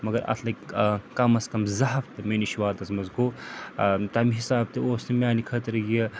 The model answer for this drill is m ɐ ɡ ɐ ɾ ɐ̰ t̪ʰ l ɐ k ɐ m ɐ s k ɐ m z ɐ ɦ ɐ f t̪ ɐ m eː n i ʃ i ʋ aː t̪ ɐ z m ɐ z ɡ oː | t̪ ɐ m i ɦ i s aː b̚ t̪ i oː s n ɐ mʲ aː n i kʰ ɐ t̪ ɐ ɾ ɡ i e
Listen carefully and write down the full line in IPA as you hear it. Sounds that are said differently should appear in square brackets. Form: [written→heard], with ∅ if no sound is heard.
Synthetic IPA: m ɐ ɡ ɐ ɾ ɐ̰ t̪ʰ l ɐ k ɐ m ɐ s k ɐ m z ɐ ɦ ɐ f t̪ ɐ m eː n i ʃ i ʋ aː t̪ ɐ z m ɐ z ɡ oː | t̪ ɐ m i ɦ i s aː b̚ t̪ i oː s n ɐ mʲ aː n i kʰ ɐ t̪ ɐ ɾ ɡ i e